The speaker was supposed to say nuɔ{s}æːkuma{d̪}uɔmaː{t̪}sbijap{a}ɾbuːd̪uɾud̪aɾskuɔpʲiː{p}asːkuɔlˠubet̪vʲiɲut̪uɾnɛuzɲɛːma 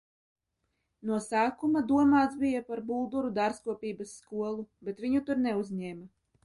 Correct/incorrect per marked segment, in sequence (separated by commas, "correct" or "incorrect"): correct, correct, correct, correct, incorrect